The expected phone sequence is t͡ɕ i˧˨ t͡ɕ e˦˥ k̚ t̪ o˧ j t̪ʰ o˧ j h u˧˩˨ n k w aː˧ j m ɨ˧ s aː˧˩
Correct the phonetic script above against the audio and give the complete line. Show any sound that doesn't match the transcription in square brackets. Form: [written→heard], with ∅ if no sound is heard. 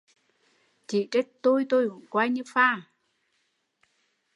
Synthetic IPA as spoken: t͡ɕ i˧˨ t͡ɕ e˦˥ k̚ t̪ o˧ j [t̪ʰ→t̪] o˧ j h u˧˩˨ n k w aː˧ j [m→ɲ] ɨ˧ [s→f] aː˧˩